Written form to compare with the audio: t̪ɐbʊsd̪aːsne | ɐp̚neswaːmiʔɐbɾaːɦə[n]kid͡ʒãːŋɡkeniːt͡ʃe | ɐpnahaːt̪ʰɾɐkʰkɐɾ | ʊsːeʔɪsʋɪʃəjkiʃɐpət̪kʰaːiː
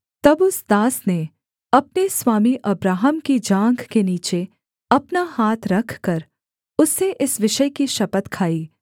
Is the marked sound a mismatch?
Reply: yes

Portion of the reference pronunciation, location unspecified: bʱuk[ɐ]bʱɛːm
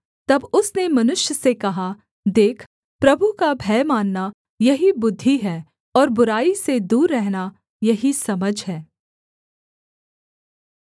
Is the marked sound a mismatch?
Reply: yes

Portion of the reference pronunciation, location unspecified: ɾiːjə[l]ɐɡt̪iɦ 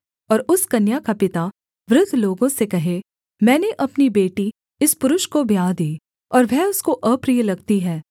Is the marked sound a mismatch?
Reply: no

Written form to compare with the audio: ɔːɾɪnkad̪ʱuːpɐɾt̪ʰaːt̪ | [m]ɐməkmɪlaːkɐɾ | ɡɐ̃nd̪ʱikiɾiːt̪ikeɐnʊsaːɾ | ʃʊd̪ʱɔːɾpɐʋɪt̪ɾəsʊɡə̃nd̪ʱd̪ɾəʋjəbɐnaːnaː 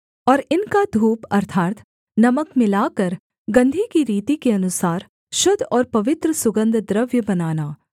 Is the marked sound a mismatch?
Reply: yes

